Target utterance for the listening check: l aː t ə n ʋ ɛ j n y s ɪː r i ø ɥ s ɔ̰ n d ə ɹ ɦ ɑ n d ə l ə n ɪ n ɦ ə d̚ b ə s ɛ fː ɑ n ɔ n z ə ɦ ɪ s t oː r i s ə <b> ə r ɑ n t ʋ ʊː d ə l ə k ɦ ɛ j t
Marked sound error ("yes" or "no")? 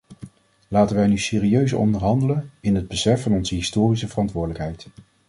yes